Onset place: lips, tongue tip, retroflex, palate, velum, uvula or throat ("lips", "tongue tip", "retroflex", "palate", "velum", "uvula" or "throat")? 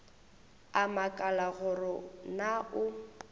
lips